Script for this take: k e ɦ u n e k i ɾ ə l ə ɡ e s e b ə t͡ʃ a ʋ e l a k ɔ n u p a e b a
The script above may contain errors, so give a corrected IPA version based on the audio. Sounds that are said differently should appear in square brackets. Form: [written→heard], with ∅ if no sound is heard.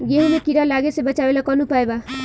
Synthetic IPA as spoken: [k→ɡ] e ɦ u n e k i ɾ [ə→a] l [ə→a] ɡ e s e b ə t͡ʃ a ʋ e l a k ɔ n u p a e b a

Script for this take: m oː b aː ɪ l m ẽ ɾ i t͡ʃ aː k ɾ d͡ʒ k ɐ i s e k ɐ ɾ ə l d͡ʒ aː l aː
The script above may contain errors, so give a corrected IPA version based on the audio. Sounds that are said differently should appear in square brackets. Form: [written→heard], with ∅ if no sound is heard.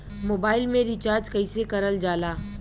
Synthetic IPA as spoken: m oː b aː ɪ l m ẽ ɾ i t͡ʃ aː [k→∅] ɾ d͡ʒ k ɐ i s e k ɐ ɾ ə l d͡ʒ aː l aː

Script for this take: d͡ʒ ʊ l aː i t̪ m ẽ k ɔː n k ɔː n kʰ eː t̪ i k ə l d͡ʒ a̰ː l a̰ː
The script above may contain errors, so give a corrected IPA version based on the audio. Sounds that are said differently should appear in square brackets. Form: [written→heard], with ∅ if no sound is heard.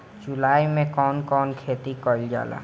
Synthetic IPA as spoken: d͡ʒ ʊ l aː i [t̪→∅] m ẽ k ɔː n k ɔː n kʰ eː t̪ i k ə l d͡ʒ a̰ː l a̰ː

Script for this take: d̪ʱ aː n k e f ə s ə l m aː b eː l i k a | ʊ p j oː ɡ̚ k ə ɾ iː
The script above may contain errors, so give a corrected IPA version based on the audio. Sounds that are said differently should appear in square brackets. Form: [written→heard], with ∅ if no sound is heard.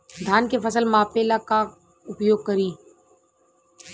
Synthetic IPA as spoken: d̪ʱ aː n k e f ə s ə l m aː [b→p] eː l [i→a] k a | ʊ p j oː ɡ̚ k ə ɾ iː

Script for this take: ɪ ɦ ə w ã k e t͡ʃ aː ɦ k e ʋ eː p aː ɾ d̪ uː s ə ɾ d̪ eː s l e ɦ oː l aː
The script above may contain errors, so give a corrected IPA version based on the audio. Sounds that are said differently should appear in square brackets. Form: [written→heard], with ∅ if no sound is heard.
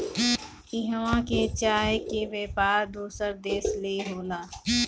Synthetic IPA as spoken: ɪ ɦ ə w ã k e t͡ʃ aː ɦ k e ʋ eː p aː ɾ d̪ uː s ə ɾ d̪ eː s l e ɦ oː l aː

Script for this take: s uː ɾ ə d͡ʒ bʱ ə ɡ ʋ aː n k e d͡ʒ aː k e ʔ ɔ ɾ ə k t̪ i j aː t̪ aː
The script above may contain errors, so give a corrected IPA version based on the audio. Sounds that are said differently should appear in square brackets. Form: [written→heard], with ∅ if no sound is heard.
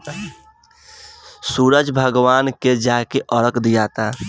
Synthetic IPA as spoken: s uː ɾ ə d͡ʒ bʱ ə ɡ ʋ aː n k e d͡ʒ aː k e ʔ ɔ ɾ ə k [t̪→d̪] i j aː t̪ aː

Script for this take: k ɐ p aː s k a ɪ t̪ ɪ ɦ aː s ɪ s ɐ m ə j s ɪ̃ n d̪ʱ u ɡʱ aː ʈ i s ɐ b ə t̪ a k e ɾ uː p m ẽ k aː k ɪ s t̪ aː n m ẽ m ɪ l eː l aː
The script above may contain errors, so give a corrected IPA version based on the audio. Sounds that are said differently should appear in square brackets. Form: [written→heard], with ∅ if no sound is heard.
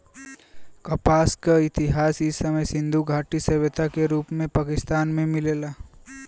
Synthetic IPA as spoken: k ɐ p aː s k a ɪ t̪ ɪ ɦ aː s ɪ s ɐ m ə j s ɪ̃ n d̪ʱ u ɡʱ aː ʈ i s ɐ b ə t̪ a k e ɾ uː p m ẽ [k→p] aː k ɪ s t̪ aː n m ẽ m ɪ l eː l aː

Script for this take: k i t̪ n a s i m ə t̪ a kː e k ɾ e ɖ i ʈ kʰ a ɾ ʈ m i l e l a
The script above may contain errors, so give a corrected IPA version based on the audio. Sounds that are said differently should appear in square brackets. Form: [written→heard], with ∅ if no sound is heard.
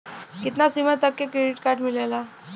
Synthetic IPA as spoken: k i t̪ n a s i m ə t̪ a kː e k ɾ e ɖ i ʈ [kʰ→k] a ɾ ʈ m i l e l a

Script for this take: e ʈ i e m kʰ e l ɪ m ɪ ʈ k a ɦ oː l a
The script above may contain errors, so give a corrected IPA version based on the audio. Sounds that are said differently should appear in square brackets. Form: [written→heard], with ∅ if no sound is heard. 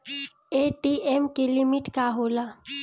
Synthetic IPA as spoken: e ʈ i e m [kʰ→k] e l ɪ m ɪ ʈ k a ɦ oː l a

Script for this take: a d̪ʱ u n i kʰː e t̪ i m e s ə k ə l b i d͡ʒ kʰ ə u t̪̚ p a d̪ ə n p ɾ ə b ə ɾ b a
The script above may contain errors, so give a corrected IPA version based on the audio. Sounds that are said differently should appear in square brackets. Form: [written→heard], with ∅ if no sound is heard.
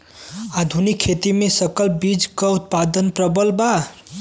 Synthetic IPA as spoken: a d̪ʱ u n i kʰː e t̪ i m e s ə k ə l b i d͡ʒ [kʰ→k] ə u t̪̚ p a d̪ ə n p ɾ ə b ə [ɾ→l] b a

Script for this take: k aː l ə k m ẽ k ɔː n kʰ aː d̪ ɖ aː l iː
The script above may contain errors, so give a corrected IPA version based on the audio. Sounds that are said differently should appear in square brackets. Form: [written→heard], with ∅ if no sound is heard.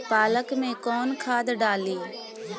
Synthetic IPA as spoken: [k→p] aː l ə k m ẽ k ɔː n kʰ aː d̪ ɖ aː l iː

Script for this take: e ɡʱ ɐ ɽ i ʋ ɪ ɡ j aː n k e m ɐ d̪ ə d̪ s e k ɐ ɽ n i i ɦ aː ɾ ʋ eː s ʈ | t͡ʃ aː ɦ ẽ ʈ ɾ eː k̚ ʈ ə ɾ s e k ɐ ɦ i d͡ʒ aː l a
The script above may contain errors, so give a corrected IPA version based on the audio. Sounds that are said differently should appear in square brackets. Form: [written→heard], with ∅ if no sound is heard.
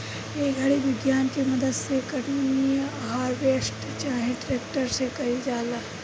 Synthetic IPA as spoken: e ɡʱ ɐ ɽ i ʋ ɪ ɡ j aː n k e m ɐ d̪ ə d̪ s e k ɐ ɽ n i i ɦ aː ɾ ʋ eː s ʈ | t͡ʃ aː ɦ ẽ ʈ ɾ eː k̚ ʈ ə ɾ s e k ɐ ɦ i d͡ʒ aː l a

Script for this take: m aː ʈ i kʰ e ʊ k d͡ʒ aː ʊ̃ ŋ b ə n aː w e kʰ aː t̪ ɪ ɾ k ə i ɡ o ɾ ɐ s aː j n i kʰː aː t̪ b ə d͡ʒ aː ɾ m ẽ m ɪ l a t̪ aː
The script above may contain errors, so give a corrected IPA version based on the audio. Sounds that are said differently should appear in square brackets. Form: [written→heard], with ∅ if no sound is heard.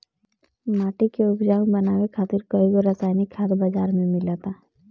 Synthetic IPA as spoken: m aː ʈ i [kʰ→k] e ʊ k d͡ʒ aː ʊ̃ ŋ b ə n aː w e kʰ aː t̪ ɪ ɾ k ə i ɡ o ɾ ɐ s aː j n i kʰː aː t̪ b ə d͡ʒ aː ɾ m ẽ m ɪ l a t̪ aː

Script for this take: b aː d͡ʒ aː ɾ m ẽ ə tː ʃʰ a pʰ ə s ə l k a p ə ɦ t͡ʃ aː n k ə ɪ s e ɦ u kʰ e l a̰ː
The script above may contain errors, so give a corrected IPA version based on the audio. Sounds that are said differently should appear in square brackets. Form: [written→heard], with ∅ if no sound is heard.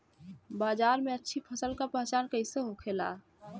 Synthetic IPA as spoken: b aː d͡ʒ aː ɾ m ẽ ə tː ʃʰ [a→i] pʰ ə s ə l k a p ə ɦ t͡ʃ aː n k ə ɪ s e ɦ [u→o] kʰ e l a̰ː

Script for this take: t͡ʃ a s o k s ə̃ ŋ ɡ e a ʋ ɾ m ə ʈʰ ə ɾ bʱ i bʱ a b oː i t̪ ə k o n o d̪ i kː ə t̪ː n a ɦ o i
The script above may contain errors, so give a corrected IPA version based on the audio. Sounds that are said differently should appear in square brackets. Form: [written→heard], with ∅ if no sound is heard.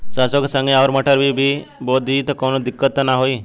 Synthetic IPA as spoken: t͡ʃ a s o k s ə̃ ŋ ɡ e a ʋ ɾ m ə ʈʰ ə ɾ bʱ i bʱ [a→i] b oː i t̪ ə k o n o d̪ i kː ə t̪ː n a ɦ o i

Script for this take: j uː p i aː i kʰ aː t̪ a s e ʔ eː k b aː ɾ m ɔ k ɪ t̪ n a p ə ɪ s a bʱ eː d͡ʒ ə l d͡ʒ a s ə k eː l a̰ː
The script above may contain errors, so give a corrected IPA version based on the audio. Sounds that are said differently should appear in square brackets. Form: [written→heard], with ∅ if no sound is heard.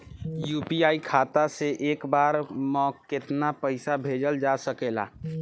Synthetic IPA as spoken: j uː p i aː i kʰ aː t̪ a s e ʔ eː k b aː ɾ m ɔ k ɪ t̪ n a p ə ɪ s a bʱ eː d͡ʒ ə l d͡ʒ a s ə k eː l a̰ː

